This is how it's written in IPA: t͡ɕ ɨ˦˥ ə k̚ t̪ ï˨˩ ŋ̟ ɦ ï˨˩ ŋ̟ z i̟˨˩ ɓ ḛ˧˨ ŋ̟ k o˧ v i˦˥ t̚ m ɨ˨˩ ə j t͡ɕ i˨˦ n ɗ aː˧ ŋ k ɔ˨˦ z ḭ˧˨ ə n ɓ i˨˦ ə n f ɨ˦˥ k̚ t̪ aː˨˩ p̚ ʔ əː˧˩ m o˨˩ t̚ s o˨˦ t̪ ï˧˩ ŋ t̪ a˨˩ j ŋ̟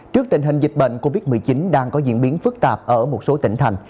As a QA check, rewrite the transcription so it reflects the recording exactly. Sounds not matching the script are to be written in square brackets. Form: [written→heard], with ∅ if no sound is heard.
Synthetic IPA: t͡ɕ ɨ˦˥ ə k̚ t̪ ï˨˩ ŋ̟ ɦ ï˨˩ ŋ̟ z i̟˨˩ ɓ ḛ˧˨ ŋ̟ k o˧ v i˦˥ t̚ m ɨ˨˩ ə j t͡ɕ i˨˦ n ɗ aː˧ ŋ k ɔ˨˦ z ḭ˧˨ ə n ɓ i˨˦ ə n f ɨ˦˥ k̚ t̪ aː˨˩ p̚ ʔ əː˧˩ m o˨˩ t̚ s o˨˦ t̪ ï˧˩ ŋ [t̪→t̪ʰ] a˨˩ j ŋ̟